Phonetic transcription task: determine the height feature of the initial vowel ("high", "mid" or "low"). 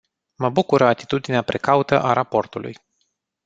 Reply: mid